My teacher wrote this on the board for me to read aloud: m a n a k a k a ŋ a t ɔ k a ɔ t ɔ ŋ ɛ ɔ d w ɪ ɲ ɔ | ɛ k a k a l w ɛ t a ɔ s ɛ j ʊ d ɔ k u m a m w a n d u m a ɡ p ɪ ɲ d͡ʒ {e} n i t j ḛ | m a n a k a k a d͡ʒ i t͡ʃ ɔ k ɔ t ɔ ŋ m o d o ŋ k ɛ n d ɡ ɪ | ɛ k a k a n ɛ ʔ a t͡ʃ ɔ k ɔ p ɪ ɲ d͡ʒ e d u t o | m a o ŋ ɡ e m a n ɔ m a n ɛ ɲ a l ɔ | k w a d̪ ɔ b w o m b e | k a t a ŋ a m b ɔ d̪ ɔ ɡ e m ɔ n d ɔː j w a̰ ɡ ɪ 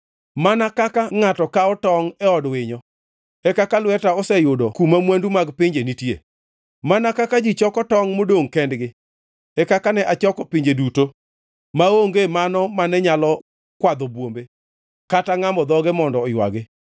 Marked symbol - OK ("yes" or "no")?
yes